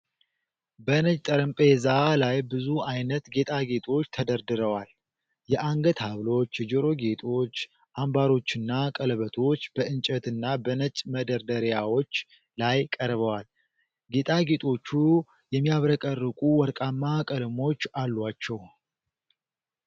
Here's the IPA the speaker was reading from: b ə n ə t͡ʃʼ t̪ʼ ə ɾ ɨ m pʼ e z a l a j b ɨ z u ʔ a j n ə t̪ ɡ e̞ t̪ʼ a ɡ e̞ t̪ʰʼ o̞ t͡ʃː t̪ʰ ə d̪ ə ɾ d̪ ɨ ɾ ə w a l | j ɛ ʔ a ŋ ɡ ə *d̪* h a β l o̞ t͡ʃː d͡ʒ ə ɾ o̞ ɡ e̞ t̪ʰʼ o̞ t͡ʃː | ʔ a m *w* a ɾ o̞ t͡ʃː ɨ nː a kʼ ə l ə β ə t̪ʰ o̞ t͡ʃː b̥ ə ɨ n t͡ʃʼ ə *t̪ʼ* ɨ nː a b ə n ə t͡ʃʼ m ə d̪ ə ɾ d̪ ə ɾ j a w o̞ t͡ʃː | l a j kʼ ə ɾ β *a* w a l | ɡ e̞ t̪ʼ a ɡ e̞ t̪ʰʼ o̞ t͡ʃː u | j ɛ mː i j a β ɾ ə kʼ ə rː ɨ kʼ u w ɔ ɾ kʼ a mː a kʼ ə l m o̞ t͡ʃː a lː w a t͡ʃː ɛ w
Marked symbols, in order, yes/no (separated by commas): no, no, no, no